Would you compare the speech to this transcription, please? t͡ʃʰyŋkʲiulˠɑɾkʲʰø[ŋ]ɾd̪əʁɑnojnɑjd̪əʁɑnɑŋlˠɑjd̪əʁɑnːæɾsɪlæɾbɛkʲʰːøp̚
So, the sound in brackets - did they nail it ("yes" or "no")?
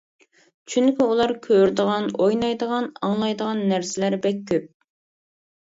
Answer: no